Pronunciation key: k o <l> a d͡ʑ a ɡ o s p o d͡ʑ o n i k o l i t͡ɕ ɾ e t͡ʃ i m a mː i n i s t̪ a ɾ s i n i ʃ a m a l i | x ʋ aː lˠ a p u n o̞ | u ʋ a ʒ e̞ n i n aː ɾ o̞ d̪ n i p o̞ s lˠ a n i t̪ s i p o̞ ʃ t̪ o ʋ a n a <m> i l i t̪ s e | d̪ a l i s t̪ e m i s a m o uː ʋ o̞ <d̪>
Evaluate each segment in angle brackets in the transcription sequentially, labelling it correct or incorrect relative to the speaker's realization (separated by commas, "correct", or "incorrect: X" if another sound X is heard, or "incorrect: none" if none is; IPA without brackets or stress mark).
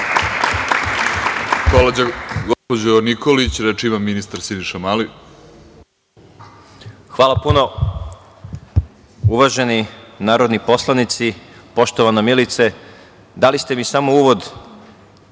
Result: correct, correct, correct